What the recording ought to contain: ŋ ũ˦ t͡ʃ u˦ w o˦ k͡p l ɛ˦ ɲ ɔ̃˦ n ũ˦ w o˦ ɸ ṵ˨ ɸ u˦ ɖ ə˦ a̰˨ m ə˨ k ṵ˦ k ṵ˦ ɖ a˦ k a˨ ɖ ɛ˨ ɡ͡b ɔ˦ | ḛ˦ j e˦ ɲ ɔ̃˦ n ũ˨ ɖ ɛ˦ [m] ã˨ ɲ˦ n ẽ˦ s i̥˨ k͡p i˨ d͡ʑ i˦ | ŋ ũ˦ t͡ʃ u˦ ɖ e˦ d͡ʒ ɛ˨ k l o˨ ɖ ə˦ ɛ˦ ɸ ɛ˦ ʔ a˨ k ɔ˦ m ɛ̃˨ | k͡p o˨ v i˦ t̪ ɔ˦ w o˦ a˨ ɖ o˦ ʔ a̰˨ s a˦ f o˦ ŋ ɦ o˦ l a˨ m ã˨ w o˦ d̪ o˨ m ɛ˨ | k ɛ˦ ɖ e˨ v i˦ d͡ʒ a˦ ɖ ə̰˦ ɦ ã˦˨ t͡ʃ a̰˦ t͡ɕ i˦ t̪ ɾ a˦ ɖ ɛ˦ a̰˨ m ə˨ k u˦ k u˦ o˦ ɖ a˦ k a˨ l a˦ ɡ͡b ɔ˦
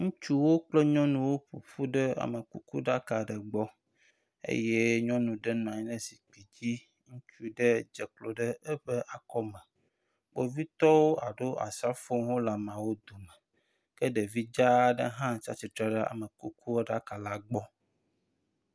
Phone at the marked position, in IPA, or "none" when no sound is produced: n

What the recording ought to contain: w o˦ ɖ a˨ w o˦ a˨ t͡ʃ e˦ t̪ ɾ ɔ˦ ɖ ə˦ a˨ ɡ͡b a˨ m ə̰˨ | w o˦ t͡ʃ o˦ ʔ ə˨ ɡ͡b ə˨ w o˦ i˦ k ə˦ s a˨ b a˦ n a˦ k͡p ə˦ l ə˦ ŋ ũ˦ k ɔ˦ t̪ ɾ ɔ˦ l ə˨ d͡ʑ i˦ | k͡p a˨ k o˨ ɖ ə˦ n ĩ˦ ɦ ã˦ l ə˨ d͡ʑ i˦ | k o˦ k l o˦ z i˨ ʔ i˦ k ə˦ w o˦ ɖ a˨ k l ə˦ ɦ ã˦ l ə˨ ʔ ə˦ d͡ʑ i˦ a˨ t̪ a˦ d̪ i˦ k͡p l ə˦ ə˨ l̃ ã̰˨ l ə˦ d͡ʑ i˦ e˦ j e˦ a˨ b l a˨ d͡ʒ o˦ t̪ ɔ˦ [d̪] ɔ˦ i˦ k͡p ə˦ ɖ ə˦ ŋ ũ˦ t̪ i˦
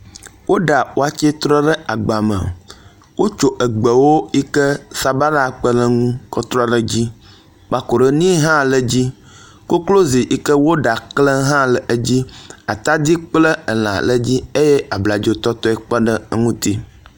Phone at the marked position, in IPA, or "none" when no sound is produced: t̪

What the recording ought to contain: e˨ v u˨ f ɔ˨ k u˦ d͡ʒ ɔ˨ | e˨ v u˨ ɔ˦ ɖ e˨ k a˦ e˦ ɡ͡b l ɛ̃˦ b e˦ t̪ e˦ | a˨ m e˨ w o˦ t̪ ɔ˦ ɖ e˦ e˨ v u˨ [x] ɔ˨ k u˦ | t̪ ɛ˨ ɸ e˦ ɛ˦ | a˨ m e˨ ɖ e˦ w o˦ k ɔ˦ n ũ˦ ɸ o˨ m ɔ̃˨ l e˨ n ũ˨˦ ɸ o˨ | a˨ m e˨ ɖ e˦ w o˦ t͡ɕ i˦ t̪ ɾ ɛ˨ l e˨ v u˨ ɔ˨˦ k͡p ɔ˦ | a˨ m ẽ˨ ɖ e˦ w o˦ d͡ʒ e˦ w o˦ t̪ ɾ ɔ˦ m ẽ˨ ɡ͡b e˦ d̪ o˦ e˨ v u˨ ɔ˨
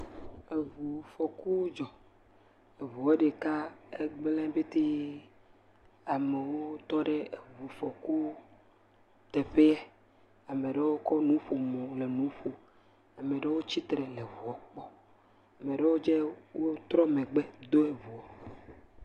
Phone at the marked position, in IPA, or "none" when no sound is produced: f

